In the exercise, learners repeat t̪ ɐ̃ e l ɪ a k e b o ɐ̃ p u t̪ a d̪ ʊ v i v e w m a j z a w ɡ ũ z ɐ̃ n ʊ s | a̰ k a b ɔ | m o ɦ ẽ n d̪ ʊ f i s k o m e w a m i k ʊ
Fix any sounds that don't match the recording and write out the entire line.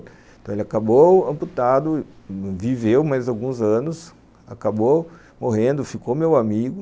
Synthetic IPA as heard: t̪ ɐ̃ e l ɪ a k a b o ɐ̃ p u t̪ a d̪ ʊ v i v e w m a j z a w ɡ ũ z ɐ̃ n ʊ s | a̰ k a b o | m o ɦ ẽ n d̪ ʊ f i k o m e w a m i ɡ ʊ